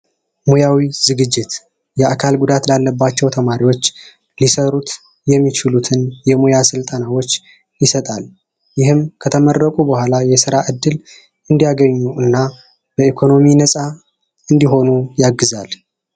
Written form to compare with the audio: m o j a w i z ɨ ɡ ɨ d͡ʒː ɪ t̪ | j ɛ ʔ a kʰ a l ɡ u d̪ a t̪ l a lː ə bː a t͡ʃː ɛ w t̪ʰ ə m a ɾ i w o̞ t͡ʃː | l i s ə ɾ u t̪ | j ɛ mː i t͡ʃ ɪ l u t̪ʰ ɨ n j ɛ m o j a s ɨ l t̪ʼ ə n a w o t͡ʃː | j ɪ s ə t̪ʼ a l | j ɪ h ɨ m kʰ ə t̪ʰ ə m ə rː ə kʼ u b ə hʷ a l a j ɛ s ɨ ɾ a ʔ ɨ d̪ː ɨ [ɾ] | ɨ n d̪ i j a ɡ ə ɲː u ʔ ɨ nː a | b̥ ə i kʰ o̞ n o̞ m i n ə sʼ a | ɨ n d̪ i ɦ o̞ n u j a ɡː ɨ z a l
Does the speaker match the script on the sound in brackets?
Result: no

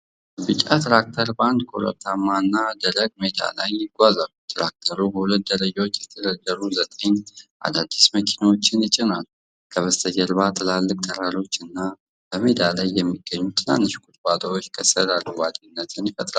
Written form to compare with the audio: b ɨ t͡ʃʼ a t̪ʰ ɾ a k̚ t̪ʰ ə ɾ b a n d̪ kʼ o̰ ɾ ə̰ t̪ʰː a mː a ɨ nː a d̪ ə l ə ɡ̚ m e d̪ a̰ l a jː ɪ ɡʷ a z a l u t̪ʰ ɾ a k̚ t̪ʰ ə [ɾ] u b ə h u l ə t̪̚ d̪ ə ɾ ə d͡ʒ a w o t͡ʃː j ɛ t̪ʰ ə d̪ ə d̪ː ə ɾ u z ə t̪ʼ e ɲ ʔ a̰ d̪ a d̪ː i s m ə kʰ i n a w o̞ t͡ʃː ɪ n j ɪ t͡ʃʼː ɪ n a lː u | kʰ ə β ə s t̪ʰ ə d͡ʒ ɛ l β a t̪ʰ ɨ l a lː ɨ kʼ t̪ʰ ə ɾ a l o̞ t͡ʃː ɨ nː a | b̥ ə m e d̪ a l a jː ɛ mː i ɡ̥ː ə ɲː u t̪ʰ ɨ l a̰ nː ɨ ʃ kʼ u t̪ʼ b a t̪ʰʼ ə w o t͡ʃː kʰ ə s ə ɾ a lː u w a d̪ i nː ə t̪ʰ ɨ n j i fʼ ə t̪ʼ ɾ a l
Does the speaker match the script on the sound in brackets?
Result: yes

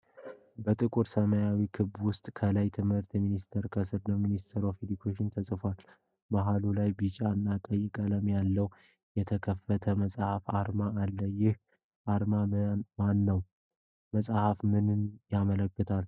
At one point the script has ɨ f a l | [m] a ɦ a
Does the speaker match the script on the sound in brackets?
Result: no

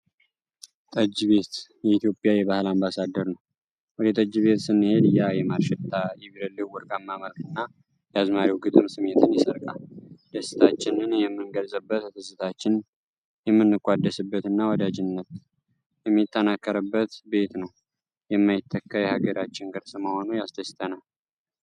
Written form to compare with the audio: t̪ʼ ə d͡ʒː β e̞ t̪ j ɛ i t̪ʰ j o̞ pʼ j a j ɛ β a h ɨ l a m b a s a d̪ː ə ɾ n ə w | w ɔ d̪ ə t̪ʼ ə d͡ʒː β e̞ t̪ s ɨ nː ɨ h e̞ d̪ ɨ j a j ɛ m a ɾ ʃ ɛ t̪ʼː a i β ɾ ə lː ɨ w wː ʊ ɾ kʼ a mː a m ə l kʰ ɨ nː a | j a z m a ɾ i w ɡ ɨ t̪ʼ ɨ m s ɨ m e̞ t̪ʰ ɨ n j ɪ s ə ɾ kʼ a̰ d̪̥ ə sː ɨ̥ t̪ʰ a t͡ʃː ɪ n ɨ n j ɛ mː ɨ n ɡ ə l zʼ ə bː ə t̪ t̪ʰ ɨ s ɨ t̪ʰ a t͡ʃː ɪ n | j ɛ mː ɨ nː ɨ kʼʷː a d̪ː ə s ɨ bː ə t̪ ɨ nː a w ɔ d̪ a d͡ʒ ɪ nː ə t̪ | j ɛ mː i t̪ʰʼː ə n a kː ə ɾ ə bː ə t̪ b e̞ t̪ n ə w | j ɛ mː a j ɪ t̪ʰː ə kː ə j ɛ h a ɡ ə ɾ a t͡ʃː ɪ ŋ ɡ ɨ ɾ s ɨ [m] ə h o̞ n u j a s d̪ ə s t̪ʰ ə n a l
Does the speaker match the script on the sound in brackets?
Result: yes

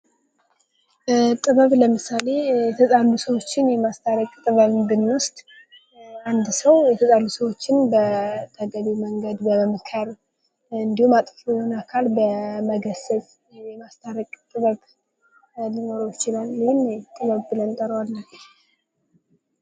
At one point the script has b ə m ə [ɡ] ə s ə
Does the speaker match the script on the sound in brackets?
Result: yes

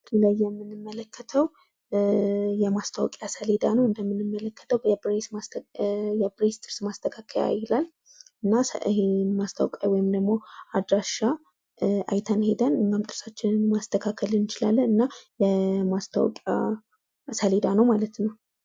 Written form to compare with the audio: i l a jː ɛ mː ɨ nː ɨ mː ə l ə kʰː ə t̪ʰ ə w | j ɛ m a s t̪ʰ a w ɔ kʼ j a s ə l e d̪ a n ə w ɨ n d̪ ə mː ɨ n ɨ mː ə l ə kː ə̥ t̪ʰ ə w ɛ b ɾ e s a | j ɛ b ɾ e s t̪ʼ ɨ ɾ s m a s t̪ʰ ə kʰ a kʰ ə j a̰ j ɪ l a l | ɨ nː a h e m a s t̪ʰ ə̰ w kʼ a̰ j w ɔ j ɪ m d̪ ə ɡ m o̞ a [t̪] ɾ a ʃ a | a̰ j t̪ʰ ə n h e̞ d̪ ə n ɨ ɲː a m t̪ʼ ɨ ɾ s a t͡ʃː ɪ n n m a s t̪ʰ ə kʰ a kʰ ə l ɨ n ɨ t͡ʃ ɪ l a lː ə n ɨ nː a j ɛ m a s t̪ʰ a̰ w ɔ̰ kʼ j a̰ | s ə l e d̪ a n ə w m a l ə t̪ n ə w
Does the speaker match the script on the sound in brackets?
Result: no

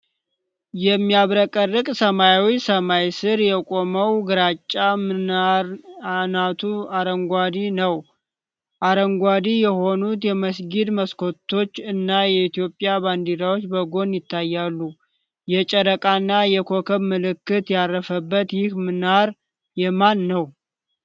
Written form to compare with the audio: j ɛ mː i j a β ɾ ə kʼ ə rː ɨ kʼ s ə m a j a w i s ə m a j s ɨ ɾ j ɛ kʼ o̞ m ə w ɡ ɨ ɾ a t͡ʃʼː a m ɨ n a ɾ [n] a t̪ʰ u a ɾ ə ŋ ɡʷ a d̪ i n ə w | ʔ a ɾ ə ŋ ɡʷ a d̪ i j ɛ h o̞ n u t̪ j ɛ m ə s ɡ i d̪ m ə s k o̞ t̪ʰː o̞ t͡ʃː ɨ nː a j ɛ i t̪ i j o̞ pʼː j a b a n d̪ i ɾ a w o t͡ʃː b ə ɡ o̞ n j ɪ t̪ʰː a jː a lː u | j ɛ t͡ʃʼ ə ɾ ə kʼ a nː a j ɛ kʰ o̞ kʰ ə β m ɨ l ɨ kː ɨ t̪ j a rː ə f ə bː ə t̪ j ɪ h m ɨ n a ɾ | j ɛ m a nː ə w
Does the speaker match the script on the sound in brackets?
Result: yes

